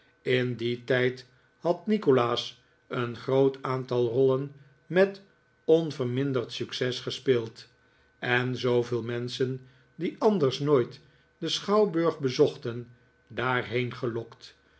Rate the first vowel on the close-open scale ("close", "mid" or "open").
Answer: close